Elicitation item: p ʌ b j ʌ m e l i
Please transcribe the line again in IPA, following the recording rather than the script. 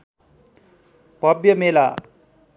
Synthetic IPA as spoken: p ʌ b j ʌ m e l a